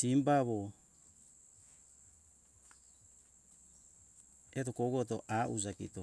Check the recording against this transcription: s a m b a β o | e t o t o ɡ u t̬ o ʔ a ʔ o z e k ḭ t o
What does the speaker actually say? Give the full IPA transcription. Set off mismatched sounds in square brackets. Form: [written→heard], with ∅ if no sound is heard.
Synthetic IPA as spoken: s [a→i] m b a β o | e t o [t→k] o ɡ [u→o] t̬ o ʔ a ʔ [o→u] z [e→a] k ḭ t o